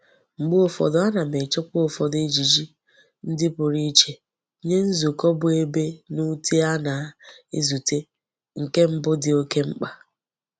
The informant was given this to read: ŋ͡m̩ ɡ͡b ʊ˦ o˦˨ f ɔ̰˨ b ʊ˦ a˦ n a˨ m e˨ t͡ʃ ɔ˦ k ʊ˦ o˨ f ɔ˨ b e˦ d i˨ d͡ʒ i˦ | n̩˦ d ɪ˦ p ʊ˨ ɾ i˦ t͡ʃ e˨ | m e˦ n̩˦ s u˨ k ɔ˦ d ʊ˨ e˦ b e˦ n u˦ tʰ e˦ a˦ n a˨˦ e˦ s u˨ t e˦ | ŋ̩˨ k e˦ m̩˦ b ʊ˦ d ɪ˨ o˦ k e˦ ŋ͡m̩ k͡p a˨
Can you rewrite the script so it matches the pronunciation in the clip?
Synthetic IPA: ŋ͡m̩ ɡ͡b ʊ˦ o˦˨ f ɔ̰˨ d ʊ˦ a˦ n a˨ m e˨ t͡ʃ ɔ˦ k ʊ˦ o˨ f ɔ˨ d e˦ d͡ʒ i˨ d͡ʒ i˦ | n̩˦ d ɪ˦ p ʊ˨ ɾ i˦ t͡ʃ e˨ | ɲ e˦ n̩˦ z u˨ k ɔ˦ b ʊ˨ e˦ b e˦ n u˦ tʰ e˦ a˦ n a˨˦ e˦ z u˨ t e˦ | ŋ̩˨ k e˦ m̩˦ b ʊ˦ d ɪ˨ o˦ k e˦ ŋ͡m̩ k͡p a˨